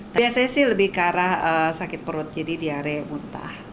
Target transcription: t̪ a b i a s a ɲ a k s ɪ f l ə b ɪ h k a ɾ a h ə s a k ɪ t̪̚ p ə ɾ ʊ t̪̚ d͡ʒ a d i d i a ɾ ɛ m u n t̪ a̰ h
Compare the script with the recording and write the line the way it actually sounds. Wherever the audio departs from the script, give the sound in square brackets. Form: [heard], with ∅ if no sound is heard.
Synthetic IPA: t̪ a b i a s a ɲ a [∅] s ɪ [h] l ə b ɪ h k a ɾ a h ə s a k ɪ t̪̚ p ə ɾ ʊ t̪̚ d͡ʒ a d i d i a ɾ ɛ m u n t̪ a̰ h